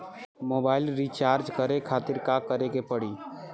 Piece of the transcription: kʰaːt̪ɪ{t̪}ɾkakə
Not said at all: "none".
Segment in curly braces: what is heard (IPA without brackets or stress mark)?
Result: none